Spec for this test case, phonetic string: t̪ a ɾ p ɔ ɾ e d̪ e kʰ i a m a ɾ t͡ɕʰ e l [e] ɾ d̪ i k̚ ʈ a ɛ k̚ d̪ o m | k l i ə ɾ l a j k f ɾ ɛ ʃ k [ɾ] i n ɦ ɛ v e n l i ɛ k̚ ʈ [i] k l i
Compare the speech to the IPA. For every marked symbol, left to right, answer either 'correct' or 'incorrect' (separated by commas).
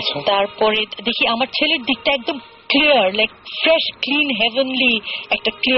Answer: correct, incorrect, incorrect